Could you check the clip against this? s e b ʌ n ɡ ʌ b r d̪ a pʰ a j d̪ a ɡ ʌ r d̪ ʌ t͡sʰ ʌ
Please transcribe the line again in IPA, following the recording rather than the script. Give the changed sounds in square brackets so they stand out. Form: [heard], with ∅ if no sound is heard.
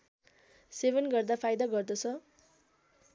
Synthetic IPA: s e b ʌ n ɡ ʌ [∅] r d̪ a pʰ a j d̪ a ɡ ʌ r d̪ ʌ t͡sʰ ʌ